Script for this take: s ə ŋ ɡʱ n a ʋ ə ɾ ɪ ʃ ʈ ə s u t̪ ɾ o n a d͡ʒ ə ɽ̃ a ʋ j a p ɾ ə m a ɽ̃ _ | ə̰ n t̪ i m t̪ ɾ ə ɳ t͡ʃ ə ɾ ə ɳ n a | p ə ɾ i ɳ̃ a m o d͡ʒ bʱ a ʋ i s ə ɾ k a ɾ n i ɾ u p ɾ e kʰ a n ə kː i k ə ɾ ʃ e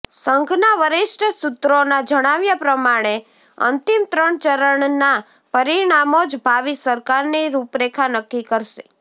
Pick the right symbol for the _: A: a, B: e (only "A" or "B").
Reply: B